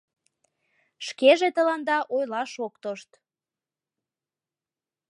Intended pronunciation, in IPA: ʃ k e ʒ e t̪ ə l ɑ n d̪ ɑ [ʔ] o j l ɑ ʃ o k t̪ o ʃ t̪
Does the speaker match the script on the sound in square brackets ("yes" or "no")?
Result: yes